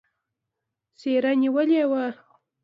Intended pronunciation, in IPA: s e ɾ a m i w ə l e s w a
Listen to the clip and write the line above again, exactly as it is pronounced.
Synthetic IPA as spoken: s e ɾ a n i w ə l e w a

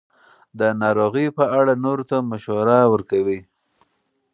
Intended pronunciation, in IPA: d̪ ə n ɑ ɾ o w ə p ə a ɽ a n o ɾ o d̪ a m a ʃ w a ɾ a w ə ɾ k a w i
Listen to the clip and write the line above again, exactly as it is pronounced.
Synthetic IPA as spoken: d̪ ə n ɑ ɾ o ɣ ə p ə a ɽ a n o ɾ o t̪ a m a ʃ w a ɾ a w ə ɾ k a w i

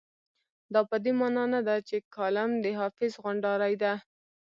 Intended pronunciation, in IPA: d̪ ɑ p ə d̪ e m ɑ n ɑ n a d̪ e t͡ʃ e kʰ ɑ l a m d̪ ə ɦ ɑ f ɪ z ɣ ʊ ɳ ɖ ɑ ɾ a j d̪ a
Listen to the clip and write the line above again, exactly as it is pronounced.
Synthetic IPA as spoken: d̪ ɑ p ə d̪ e m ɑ n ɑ n a d̪ a t͡ʃ e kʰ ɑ l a m d̪ ə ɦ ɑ f ɪ z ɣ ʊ ɳ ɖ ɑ ɾ a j d̪ a

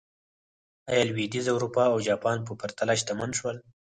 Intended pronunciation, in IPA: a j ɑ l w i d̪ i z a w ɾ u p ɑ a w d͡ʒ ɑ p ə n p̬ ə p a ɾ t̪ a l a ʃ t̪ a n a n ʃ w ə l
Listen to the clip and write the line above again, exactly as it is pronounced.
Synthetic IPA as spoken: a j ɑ l w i d̪ i z a w ɾ u p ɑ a w d͡ʒ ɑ p ɑ n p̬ ə p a ɾ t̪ a l a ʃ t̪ a m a n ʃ w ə l

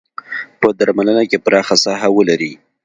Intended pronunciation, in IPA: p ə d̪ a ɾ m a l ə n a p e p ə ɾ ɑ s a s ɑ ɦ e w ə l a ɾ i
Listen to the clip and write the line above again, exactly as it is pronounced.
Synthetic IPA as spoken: p ə d̪ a ɾ m a l ə n a k e p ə ɾ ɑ x a s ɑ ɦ a w ə l a ɾ i

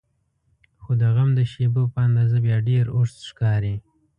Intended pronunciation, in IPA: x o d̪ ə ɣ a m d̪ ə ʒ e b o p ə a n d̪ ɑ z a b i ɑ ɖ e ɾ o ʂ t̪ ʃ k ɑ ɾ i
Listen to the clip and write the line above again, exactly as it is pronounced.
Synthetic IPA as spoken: x o d̪ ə ɣ a m d̪ ə ʃ e b o p ə a n d̪ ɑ z a b j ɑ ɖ e ɾ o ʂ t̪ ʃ k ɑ ɾ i

